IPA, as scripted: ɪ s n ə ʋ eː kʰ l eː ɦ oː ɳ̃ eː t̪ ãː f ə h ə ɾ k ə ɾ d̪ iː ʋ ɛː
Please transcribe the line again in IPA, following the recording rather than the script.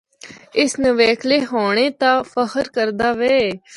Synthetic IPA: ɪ s n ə ʋ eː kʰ l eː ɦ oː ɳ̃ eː t̪ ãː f ə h ə ɾ k ə ɾ d̪ aː ʋ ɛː

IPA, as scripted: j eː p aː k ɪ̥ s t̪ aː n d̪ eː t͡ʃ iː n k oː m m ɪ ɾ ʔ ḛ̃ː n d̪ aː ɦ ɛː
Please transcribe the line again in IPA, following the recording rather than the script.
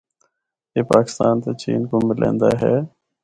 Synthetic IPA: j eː p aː k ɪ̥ s t̪ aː n t̪ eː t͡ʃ iː n k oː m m ɪ l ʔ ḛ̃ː n d̪ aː ɦ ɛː

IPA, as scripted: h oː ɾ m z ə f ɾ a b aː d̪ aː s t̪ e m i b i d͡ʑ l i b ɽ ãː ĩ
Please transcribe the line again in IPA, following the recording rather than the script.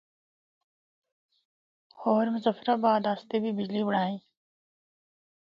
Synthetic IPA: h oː ɾ m z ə f ɾ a b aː d̪ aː s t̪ e b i b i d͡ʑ l i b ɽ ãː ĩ

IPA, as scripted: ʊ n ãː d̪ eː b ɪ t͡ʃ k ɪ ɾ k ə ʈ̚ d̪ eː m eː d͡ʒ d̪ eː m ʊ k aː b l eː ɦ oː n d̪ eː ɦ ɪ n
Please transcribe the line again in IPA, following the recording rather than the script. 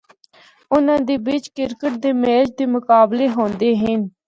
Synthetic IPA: ʊ n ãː d̪ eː b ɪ t͡ʃ k ɪ ɾ k ə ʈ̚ d̪ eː m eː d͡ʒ d̪ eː m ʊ k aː b l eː ɦ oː n d̪ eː ɦ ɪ n

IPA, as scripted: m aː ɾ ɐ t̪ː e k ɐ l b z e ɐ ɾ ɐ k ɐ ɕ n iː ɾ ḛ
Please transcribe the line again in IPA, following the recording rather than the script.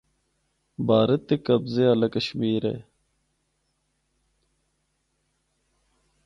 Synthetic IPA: b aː ɾ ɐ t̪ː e k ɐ b z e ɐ l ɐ k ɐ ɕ m iː ɾ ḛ

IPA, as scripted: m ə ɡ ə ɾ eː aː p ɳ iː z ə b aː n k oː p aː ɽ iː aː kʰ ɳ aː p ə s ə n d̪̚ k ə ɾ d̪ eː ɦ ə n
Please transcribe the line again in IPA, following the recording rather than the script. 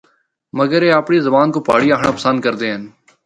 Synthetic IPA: m ə ɡ ə ɾ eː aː p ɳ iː z ə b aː n k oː p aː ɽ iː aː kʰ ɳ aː p ə s ə n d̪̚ k ə ɾ d̪ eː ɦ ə n

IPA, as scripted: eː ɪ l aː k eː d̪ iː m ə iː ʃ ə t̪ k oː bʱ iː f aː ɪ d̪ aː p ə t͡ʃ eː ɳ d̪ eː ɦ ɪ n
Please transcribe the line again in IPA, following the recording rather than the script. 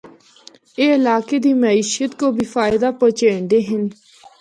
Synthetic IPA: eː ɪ l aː k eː d̪ iː m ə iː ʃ ə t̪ k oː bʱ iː f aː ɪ d̪ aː p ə t͡ʃ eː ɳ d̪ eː ɦ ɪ n

